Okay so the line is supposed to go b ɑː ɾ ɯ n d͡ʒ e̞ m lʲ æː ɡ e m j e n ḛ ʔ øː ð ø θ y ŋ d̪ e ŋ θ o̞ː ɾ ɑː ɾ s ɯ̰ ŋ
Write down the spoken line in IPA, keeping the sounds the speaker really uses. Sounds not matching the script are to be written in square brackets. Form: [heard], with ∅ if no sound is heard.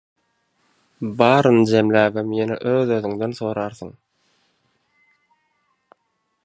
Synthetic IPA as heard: b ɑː ɾ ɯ n d͡ʒ e̞ m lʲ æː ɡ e m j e n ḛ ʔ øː ð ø [ð] y ŋ d̪ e [n] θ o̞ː ɾ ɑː ɾ [θ] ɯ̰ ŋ